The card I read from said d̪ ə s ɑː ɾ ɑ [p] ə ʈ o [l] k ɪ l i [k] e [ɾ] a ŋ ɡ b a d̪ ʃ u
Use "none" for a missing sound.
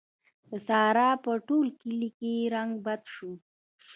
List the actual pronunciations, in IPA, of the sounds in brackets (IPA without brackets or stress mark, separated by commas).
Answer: p, l, k, ɾ